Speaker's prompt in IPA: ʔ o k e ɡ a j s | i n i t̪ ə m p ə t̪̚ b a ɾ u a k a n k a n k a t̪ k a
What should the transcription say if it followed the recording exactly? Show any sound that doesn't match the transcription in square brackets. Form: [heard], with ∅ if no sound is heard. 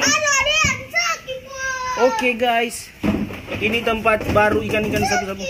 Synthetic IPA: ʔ o k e ɡ a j s | i n i t̪ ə m p [a] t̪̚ b a ɾ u [i] k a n k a n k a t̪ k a